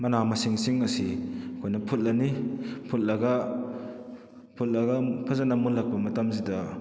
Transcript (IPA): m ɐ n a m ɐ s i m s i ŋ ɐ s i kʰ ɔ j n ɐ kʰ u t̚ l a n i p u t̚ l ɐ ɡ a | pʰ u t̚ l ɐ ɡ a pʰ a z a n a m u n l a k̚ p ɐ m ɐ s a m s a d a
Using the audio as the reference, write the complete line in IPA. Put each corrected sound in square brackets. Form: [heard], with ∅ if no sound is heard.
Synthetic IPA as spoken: m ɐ n a m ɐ s i [ŋ] s i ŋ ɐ s i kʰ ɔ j n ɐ [pʰ] u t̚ l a n i [pʰ] u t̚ l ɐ ɡ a | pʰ u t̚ l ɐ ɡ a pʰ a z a n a m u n l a k̚ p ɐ m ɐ [t] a m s [i] d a